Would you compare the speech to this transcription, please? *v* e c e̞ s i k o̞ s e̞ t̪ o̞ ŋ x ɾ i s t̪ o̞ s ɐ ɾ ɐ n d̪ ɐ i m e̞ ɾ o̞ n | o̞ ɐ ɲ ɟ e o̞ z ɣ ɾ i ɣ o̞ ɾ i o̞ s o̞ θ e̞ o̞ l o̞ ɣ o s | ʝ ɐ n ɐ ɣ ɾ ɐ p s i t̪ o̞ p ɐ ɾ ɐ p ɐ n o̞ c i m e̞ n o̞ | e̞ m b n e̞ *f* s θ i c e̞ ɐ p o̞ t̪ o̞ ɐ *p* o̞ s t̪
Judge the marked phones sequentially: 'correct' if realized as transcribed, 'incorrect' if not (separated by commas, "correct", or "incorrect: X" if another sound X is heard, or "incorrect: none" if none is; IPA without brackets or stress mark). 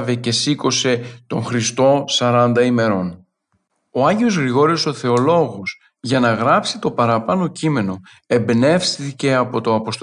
correct, correct, correct